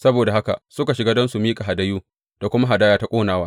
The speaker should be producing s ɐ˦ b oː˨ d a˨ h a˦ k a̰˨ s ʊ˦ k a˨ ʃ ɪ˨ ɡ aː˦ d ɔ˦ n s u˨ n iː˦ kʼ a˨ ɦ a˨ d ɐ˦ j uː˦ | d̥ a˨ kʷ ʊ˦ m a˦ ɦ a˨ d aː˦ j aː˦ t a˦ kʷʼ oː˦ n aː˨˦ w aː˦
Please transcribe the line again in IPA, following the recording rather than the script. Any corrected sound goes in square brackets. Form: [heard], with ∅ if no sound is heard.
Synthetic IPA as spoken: s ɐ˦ b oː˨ d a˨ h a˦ k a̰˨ s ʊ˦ k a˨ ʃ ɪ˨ ɡ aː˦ d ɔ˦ n s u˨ [m] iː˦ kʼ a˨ ɦ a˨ d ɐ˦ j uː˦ | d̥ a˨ kʷ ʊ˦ m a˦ ɦ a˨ d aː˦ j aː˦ t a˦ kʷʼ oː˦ n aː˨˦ w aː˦